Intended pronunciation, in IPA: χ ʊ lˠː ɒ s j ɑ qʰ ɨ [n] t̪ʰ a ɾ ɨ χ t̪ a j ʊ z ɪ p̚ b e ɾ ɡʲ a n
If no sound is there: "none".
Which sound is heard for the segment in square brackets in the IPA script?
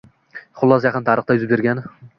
n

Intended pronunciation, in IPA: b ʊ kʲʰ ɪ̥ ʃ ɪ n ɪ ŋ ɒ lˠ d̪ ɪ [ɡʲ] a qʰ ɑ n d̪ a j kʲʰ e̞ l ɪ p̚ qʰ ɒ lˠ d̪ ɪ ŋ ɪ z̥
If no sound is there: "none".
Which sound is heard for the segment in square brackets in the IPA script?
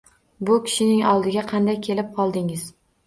ɡʲ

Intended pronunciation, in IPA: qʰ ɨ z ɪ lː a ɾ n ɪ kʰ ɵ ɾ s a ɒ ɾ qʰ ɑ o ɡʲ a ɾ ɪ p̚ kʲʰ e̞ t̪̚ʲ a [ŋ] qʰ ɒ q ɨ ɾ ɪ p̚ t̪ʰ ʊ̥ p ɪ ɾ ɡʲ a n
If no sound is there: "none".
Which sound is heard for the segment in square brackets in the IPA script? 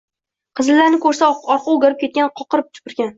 n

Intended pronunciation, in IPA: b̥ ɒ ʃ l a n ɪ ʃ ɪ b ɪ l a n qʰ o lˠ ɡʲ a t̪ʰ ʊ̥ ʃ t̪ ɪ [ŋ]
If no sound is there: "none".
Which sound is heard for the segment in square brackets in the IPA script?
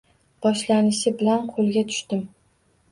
m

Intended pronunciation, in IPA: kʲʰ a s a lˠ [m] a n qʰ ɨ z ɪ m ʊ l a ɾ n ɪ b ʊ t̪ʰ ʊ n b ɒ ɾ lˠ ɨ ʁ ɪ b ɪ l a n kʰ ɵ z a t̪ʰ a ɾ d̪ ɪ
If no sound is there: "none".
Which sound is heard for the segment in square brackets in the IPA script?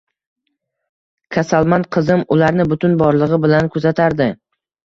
m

